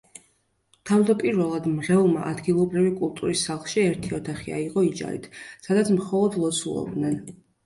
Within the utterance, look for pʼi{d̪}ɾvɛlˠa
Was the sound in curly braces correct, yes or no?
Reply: no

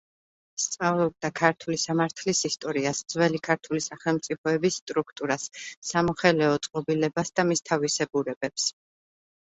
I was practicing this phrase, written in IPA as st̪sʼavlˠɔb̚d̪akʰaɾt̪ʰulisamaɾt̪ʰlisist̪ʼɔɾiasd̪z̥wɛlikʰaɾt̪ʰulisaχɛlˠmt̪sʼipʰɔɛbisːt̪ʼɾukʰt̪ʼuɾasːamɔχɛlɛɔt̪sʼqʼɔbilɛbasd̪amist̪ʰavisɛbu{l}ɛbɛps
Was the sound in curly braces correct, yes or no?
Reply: no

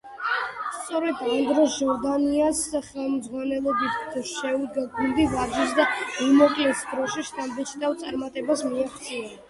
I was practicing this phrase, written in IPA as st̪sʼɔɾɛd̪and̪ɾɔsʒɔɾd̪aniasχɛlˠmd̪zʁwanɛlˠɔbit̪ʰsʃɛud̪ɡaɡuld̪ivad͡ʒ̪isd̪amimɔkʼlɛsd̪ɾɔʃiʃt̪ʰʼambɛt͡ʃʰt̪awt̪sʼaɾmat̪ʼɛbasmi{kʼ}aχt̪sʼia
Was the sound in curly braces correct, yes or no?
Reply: no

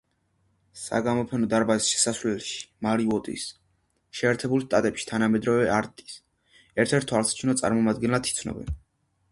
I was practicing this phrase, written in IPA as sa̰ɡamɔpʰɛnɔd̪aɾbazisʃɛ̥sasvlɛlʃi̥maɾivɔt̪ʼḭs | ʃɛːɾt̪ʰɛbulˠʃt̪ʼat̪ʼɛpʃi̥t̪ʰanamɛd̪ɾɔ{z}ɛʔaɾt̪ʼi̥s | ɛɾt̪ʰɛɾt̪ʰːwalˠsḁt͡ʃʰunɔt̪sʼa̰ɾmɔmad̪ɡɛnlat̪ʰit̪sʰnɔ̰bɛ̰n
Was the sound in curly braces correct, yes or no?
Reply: no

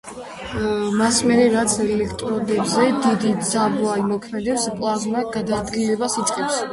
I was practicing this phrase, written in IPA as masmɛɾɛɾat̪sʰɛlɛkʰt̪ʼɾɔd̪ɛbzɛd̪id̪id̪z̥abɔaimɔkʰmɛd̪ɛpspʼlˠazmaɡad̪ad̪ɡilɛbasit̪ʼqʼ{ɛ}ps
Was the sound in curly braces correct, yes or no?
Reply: yes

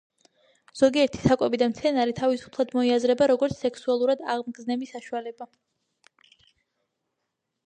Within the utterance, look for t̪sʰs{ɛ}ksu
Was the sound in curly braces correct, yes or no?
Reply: yes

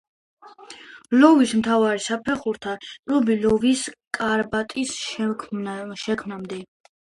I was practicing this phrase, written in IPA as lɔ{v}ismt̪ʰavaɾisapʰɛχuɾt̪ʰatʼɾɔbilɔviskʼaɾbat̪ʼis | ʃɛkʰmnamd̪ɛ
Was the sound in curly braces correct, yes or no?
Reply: yes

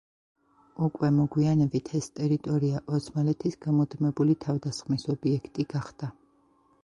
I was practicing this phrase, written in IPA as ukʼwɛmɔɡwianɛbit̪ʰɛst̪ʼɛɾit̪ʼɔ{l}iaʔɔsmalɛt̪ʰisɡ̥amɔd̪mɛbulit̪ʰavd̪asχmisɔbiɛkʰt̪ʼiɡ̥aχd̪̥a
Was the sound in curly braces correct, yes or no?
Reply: no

